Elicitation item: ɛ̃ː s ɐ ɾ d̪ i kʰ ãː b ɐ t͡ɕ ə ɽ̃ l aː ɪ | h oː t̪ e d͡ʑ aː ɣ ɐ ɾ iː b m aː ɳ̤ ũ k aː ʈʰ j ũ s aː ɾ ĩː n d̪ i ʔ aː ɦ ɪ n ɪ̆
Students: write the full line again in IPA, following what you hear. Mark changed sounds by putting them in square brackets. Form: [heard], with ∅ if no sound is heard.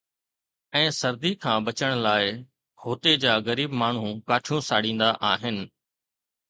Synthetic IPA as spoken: ɛ̃ː s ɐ ɾ d̪ i kʰ ãː b ɐ t͡ɕ ə ɽ̃ l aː ɪ | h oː t̪ e d͡ʑ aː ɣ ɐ ɾ iː b m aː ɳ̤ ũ k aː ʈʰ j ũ s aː [ɽ] ĩː n d̪ [a] ʔ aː ɦ ɪ n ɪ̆